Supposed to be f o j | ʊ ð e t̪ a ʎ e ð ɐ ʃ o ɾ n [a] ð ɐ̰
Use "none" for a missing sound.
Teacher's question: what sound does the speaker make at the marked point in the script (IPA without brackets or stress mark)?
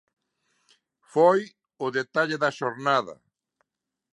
a